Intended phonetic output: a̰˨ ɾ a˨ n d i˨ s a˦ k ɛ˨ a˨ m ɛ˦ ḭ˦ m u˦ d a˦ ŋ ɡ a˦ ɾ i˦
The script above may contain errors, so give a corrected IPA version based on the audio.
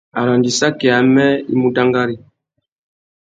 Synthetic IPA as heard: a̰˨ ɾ a˨ n d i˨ s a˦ k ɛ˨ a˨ m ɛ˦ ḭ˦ m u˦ d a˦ ŋ ɡ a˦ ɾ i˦